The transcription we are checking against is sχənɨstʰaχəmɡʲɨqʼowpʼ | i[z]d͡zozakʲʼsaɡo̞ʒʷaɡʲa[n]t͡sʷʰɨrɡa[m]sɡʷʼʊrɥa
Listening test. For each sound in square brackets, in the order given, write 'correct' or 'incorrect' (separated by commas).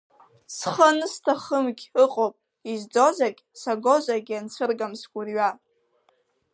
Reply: correct, correct, correct